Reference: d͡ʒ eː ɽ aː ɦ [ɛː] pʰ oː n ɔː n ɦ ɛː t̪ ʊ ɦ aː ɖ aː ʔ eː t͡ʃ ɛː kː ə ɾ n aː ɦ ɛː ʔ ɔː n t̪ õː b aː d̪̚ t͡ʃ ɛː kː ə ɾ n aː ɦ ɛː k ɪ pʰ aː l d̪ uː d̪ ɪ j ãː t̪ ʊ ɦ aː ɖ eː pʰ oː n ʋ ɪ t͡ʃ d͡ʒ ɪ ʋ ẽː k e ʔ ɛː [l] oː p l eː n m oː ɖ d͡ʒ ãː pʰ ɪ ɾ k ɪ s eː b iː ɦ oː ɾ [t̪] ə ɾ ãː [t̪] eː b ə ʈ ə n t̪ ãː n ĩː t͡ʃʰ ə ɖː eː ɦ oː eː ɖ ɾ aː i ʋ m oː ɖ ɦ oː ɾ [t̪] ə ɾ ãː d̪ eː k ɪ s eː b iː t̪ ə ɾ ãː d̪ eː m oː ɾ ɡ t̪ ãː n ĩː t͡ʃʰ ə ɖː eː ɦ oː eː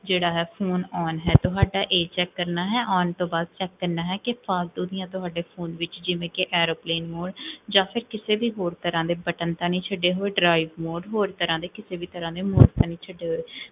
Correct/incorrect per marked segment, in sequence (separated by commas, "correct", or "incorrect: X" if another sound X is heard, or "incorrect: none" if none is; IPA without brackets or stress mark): correct, incorrect: ɾ, correct, incorrect: d̪, correct